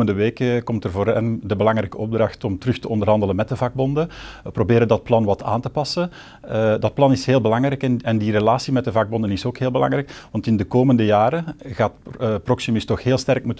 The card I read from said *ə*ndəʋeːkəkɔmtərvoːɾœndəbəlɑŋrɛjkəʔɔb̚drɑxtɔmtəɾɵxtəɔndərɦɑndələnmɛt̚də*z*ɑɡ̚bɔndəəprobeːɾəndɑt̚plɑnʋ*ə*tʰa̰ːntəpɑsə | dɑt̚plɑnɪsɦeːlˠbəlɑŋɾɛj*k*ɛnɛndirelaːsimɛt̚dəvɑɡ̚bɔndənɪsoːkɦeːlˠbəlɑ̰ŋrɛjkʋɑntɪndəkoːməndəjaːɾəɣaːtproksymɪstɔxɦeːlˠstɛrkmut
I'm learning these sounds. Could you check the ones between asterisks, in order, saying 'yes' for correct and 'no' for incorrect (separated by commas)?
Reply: yes, no, no, yes